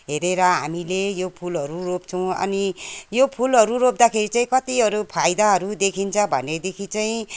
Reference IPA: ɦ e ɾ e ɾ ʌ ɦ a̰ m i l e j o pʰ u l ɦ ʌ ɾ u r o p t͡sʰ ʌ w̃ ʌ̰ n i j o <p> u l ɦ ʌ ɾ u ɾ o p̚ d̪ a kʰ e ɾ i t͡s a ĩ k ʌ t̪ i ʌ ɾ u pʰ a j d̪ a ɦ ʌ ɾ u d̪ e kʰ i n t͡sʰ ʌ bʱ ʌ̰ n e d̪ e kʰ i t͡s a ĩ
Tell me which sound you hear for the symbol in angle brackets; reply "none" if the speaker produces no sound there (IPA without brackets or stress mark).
pʰ